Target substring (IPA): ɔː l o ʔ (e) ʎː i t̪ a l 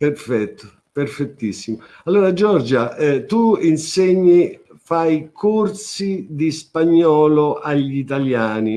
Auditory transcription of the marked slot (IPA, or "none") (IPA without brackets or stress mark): a